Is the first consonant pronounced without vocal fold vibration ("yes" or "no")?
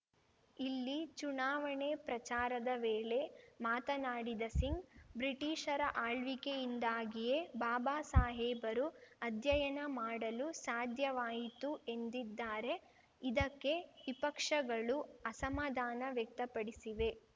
no